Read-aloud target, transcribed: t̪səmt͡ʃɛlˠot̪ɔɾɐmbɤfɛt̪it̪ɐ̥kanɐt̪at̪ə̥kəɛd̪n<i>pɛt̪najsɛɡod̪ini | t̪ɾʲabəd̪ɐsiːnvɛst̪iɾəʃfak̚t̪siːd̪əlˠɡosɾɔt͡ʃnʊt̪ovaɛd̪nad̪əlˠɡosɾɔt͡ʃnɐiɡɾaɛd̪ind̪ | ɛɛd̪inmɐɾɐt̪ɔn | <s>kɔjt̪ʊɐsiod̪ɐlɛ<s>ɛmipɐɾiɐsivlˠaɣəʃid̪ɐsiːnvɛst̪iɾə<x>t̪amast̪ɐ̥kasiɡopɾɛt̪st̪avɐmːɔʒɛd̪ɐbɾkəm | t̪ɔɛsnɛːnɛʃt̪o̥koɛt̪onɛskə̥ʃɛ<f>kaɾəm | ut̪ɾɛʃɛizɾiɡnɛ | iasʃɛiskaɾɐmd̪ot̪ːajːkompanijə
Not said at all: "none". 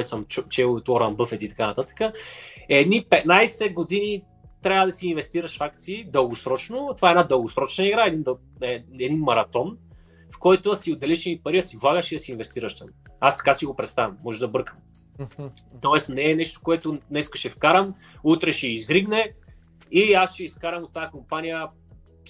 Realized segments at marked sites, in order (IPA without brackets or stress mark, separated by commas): i, f, ʃ, ʃ, f